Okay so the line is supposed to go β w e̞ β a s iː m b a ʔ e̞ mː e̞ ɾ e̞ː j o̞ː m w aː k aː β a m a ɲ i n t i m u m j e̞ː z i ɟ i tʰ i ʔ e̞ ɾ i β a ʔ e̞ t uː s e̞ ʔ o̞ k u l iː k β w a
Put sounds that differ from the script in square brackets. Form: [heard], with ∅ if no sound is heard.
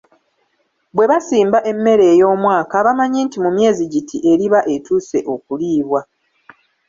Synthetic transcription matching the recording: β w e̞ β a s iː m b a ʔ e̞ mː e̞ ɾ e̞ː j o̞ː m w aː k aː β a m a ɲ i n t i m u m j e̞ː z i ɟ i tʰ i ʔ e̞ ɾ i β a ʔ e̞ t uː s e̞ ʔ o̞ k u l iː [∅] β w a

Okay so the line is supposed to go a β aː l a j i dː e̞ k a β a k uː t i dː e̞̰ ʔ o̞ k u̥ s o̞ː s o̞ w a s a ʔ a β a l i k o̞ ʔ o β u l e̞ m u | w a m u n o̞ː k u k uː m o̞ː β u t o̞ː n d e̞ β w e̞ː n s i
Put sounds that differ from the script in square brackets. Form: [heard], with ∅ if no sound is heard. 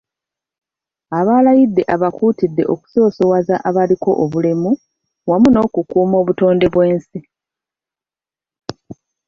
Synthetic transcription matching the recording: a β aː l a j i dː e̞ [ʔ] a β a k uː t i dː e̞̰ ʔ o̞ k u̥ s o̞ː s o̞ w a [z] a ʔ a β a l i k o̞ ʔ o β u l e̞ m u | w a m u n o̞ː k u k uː m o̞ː β u t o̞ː n d e̞ β w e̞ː n s i

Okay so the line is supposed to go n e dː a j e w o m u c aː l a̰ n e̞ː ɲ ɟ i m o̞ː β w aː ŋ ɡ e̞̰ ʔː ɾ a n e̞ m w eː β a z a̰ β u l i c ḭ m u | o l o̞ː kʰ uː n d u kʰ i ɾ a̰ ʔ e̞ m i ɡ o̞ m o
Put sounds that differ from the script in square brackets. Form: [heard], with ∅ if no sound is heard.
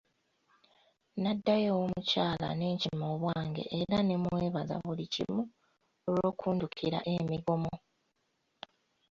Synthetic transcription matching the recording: n [a] dː a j e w o m u c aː l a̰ n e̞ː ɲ [c] i m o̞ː β w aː ŋ ɡ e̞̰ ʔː ɾ a n e̞ m w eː β a z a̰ β u l i c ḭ m u | o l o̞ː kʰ uː n d u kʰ i ɾ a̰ ʔ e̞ m i ɡ o̞ m o

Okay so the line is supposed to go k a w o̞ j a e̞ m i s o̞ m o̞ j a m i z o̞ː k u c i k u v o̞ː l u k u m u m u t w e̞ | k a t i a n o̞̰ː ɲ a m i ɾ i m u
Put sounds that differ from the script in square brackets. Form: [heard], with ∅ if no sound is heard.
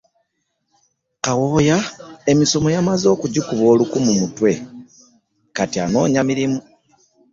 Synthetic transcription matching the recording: k a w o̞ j a e̞ m i s o̞ m o̞ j a m [a] z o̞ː k u [ɟ] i k u [β] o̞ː l u k u m u m u t w e̞ | k a t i a n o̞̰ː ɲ a m i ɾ i m u

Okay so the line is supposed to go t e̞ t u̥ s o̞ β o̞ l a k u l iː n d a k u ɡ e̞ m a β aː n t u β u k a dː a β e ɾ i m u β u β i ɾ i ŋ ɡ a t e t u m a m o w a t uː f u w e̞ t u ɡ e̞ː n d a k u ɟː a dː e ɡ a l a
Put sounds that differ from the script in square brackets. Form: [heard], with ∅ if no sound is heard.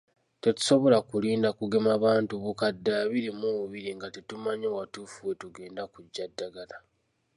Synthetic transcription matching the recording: t e̞ t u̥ s o̞ β o̞ l a k u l iː n d a k u ɡ e̞ m a β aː n t u β u k a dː a β [i] ɾ i m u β u β i ɾ i ŋ ɡ a t e t u m a [ɲ] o w a t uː f u w e̞ t u ɡ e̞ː n d a k u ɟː a dː [a] ɡ a l a

